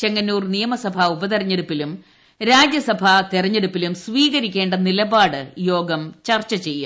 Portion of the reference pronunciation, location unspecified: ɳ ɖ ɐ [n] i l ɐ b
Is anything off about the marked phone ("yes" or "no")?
no